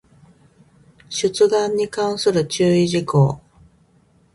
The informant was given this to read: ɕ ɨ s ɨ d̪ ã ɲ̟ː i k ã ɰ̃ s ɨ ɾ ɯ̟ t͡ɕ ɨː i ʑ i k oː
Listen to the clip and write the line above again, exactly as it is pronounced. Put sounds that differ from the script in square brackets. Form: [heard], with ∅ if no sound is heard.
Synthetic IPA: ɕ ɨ [t͡s] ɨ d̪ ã ɲ̟ː i k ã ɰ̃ s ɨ ɾ ɯ̟ t͡ɕ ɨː i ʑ i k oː